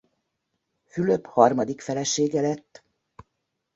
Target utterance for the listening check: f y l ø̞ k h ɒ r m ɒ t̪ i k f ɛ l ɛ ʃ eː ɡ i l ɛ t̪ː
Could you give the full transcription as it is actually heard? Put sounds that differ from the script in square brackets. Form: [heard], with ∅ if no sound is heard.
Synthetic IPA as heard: f y l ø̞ [p] h ɒ r m ɒ [d̪] i k f ɛ l ɛ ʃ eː ɡ [ɛ] l ɛ t̪ː